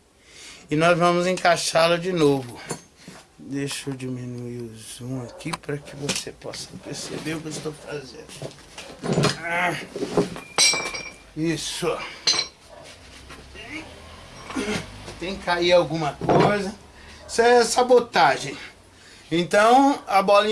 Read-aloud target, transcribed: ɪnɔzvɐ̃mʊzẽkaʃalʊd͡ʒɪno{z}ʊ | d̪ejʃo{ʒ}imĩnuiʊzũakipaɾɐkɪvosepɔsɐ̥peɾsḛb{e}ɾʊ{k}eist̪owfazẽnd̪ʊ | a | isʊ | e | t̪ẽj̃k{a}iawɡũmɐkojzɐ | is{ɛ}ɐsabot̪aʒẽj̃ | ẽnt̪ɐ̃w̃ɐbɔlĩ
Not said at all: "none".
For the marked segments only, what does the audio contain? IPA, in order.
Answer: v, d͡ʒ, e, k, a, ɛ

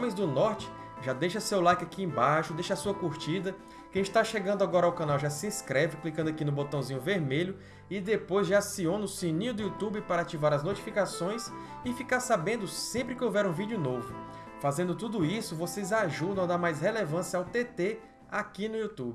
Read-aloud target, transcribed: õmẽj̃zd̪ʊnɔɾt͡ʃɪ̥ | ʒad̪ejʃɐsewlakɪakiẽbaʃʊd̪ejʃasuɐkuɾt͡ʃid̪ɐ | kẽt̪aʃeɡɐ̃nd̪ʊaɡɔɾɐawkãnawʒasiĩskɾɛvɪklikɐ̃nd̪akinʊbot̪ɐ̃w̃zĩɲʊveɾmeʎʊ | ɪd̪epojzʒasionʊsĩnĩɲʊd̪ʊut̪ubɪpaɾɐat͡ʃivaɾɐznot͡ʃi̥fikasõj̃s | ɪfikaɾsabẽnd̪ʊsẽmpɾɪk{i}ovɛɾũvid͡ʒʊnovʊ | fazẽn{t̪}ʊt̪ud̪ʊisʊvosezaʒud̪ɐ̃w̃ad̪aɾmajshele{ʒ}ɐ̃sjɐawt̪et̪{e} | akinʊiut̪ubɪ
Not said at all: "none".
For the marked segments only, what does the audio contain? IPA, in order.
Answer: ɪ, d̪, v, e

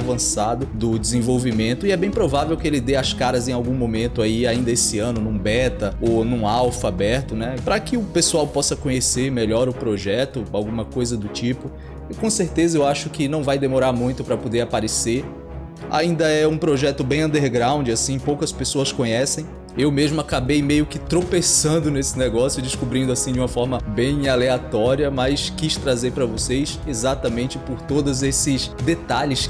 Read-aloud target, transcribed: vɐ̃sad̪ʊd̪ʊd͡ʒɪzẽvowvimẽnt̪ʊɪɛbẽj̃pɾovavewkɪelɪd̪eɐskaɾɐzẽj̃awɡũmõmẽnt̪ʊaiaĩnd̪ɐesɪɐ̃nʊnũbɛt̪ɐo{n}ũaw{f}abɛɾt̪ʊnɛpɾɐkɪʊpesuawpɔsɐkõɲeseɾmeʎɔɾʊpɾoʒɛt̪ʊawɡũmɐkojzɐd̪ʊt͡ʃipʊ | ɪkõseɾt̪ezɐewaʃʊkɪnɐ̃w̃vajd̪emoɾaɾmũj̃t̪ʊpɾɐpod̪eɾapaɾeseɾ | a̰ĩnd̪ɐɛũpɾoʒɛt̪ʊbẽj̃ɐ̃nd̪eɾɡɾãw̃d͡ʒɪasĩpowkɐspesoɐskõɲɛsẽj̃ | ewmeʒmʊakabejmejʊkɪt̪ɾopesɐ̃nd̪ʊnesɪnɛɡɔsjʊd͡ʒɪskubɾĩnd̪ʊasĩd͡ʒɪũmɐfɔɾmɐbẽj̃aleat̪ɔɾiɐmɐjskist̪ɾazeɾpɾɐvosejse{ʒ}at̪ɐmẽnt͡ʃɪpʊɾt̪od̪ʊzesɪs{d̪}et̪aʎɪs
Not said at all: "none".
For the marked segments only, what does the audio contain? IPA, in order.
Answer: n, f, z, d̪

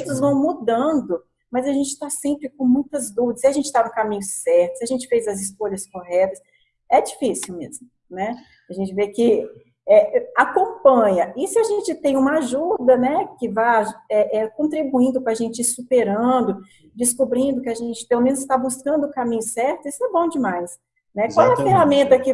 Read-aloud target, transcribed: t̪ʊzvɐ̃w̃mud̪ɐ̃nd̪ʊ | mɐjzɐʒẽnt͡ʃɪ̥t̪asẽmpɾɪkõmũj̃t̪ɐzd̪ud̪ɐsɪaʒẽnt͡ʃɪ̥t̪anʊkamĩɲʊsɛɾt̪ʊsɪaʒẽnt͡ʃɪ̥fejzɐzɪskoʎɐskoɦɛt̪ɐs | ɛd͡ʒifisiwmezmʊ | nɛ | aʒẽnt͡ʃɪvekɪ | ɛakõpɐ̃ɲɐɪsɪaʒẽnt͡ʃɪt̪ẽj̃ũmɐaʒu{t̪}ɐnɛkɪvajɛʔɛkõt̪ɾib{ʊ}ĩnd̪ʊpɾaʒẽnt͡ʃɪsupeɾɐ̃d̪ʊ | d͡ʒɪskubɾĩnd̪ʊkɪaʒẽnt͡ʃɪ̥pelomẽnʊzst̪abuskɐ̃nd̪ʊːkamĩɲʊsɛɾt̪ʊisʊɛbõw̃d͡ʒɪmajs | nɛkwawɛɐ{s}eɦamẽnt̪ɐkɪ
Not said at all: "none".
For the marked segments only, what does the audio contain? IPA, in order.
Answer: d̪, u, f

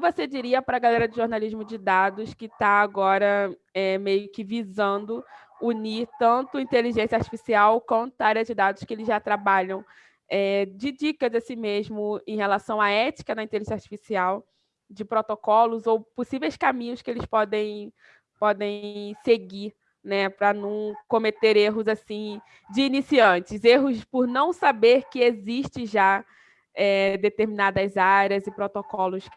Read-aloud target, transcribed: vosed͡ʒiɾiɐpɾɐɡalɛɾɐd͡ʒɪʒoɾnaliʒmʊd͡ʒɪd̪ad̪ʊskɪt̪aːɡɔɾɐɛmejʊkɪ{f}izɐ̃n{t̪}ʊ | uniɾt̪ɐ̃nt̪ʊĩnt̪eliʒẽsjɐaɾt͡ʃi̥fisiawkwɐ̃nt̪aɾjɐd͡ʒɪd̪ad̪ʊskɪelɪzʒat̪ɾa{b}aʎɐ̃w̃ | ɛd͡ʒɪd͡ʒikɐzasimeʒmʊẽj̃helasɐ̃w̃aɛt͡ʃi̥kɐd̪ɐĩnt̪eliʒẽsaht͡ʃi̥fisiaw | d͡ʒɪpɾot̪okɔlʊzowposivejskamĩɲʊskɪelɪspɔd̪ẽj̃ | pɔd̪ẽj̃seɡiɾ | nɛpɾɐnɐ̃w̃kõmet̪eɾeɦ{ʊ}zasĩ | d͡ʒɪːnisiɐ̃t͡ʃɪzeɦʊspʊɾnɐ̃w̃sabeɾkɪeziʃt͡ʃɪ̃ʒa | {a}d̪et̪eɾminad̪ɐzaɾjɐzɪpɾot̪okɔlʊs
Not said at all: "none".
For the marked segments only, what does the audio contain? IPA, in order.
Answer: v, d̪, b, ʊ, ɛ

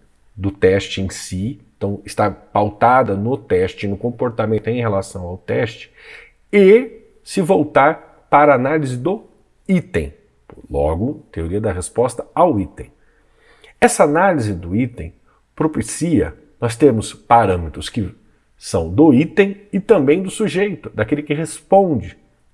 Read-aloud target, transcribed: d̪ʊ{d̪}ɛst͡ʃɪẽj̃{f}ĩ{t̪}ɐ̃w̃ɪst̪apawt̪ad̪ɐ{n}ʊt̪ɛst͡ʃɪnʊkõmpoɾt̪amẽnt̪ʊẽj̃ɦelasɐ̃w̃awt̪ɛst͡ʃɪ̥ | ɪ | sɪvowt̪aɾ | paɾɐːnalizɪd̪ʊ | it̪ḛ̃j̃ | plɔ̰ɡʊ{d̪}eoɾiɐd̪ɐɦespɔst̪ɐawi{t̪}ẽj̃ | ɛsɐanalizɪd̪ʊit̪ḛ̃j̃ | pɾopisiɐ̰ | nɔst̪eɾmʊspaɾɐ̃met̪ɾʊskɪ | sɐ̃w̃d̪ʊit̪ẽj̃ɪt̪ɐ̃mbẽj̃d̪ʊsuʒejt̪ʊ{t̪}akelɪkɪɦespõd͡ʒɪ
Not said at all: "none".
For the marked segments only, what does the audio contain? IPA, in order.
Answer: t̪, s, t̪, n, t̪, t̪, d̪

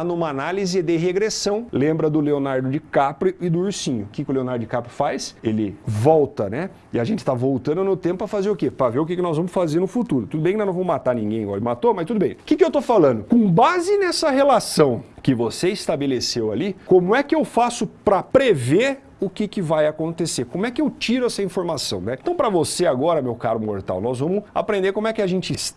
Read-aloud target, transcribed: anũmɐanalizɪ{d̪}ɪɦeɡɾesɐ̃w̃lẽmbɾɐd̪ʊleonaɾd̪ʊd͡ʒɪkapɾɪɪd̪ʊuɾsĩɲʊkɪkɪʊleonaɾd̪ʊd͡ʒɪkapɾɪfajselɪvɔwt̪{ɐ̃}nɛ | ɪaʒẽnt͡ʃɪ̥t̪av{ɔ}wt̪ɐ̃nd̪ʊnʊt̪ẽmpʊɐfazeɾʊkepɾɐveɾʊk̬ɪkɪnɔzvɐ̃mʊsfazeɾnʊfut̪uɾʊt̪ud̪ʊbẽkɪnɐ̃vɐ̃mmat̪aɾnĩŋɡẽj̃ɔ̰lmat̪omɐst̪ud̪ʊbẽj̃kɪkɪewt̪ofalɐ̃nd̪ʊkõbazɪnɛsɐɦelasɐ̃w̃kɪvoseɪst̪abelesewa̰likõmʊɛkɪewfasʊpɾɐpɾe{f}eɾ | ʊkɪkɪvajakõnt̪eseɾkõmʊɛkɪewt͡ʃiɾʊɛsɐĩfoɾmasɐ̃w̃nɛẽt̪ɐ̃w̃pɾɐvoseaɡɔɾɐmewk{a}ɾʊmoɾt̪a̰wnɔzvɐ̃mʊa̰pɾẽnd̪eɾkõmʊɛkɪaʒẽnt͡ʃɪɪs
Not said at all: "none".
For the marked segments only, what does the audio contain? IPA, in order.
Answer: d̪, ɐ, o, v, a

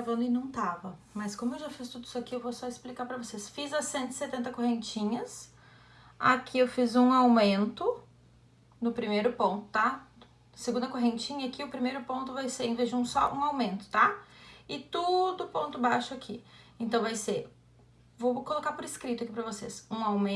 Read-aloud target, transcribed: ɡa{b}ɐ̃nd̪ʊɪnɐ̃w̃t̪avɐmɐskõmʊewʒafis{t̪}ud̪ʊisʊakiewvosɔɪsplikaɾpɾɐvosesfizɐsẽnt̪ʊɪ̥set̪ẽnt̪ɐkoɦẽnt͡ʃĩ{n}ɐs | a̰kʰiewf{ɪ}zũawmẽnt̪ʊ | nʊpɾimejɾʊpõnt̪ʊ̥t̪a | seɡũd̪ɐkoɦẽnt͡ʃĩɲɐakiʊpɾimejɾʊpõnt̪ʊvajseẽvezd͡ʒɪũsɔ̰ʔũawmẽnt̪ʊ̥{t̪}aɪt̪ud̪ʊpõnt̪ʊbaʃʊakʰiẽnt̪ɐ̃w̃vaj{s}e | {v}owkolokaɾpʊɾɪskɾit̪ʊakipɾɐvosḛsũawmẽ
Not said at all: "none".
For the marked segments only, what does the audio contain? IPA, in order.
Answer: v, t̪, ɲ, i, t̪, s, v

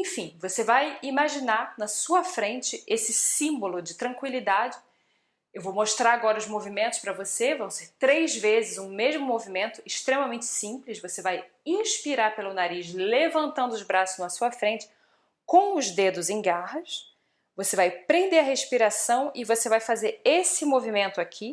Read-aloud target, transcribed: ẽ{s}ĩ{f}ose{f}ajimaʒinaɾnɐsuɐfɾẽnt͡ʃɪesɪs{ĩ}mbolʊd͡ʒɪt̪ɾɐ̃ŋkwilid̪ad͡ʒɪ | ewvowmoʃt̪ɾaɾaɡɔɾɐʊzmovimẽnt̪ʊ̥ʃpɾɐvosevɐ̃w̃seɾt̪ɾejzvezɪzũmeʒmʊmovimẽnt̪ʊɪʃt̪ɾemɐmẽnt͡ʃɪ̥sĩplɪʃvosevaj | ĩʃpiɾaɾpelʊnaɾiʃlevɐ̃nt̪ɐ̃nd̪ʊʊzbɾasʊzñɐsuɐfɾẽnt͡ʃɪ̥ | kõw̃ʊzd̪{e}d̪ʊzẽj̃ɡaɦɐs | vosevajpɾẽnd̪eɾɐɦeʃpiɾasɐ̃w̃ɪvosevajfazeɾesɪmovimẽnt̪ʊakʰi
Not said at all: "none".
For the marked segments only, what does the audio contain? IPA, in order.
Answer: f, v, v, ĩ, e

